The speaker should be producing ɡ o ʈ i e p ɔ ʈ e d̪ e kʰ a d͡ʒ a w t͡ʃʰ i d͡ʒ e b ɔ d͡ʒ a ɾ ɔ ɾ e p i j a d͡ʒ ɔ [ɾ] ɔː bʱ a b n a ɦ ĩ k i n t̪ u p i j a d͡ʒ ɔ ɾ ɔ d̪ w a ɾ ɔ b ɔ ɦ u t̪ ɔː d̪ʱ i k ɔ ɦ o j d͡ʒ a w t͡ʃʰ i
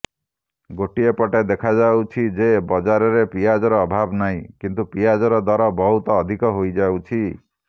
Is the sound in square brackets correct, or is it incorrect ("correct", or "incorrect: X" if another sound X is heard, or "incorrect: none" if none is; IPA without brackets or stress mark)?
correct